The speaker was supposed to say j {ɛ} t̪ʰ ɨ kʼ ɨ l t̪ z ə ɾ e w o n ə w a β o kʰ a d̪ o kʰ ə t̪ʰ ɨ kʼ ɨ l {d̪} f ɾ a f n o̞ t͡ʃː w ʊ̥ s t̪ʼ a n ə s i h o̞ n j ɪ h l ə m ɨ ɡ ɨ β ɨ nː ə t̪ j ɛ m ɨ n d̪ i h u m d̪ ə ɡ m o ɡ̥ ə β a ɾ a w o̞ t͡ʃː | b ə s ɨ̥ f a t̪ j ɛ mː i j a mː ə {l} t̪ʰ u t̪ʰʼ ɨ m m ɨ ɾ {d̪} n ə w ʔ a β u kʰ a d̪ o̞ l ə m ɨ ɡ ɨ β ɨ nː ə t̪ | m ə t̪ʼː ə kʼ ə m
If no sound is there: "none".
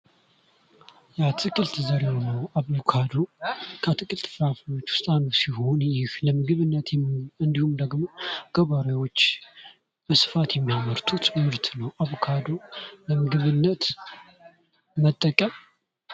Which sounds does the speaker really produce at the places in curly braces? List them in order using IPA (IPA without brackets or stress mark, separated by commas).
a, t̪, ɾ, t̪